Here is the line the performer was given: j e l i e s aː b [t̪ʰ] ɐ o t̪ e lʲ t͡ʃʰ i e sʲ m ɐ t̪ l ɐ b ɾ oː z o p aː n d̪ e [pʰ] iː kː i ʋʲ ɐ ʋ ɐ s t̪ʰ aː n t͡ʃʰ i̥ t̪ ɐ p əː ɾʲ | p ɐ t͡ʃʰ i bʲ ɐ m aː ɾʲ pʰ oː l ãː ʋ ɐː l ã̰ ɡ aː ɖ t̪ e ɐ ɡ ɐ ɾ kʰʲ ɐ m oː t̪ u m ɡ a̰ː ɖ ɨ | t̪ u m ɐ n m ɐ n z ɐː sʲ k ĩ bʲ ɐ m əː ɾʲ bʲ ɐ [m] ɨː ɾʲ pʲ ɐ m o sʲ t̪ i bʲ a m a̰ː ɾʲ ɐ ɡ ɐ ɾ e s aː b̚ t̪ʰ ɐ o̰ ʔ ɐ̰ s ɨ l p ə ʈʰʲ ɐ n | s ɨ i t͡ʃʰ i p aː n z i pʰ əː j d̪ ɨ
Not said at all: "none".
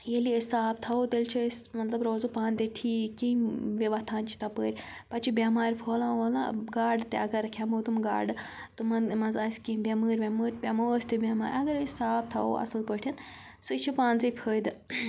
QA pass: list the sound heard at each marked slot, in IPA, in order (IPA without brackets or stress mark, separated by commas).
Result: t̪ʰ, ʈʰ, m